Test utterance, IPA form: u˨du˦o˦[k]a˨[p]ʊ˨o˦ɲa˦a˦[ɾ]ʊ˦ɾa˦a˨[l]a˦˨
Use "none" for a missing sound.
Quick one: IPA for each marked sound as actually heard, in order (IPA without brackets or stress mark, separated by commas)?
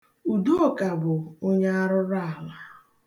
k, b, ɾ, l